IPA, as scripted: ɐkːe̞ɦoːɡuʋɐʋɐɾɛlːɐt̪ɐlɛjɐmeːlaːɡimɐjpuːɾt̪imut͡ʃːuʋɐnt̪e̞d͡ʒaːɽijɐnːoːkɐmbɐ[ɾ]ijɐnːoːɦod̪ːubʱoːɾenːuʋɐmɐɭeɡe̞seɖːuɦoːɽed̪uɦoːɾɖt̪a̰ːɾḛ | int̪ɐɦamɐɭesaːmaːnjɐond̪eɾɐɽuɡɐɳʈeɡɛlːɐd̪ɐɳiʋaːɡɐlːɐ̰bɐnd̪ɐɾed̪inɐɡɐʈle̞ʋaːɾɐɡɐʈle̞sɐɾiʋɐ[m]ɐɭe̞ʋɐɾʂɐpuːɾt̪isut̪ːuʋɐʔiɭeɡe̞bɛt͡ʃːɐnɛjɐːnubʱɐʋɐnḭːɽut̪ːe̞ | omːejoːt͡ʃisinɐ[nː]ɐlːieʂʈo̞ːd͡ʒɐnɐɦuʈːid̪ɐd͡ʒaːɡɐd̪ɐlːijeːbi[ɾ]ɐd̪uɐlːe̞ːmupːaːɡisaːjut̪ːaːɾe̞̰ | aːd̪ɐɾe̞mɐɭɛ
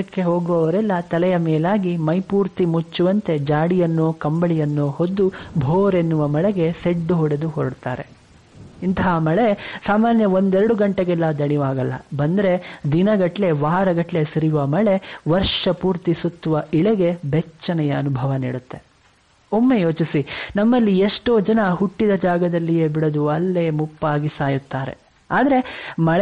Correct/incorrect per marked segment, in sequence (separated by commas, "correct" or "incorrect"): incorrect, correct, incorrect, incorrect